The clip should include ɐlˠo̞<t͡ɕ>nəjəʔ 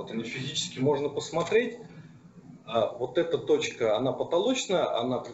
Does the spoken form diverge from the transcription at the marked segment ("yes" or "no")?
no